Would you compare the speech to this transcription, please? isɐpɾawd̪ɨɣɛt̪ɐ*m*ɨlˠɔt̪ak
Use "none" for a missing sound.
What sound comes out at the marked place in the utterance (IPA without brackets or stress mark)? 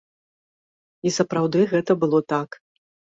b